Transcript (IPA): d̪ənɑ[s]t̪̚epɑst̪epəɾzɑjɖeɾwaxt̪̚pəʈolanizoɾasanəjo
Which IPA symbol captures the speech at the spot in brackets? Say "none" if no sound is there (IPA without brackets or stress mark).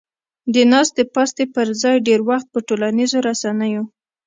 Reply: s